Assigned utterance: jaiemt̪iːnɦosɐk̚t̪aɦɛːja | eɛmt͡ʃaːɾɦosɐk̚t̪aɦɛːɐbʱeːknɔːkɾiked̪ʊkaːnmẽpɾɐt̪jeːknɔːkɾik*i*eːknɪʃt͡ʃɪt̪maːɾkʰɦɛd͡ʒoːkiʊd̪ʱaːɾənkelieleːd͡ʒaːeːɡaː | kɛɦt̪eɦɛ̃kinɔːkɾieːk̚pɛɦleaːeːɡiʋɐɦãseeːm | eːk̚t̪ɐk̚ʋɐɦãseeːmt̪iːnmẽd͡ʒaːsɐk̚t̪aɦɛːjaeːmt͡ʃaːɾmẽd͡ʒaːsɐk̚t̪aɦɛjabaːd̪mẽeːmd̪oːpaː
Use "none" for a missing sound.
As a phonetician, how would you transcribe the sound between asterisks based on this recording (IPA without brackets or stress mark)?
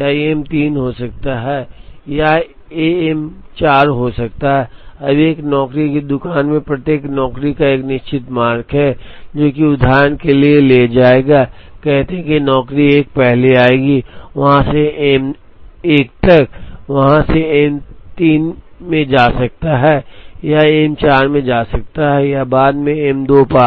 a